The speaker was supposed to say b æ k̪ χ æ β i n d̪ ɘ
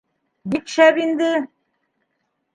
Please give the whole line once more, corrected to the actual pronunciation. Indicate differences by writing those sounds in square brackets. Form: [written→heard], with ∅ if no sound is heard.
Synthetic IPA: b [æ→i] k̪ [χ→ʃ] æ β i n d̪ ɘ